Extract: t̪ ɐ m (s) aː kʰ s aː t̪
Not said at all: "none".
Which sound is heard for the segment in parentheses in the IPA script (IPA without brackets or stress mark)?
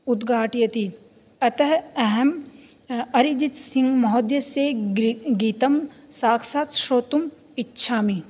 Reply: s